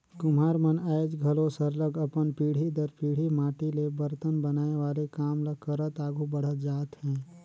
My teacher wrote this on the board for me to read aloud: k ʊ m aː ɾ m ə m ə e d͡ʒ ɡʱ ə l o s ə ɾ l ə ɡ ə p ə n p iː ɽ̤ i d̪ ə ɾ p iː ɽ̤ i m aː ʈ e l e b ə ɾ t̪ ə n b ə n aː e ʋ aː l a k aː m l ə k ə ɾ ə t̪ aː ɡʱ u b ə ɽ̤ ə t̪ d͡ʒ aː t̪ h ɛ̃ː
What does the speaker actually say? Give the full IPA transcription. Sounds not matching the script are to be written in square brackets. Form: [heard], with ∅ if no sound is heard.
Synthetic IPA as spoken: k ʊ m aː ɾ m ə [n] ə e d͡ʒ ɡʱ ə l o s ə ɾ l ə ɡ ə p ə n p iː ɽ̤ i d̪ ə ɾ p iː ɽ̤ i m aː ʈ [i] l e b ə ɾ t̪ ə n b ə n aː e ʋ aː l [e] k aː m l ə k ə ɾ ə t̪ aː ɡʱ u b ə ɽ̤ ə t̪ d͡ʒ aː t̪ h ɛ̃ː

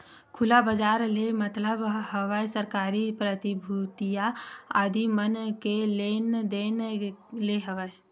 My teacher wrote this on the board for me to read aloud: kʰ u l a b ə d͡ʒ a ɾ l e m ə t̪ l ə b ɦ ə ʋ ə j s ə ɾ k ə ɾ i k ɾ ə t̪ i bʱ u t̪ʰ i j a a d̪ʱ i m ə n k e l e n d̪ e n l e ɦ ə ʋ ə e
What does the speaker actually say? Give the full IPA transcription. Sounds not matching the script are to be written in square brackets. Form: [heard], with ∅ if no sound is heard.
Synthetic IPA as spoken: kʰ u l a b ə d͡ʒ a ɾ l e m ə t̪ l ə b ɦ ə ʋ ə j s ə ɾ k [a] ɾ i [p] ɾ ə t̪ i bʱ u [t̪] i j a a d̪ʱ i m ə n k e l e n d̪ e n l e ɦ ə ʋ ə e

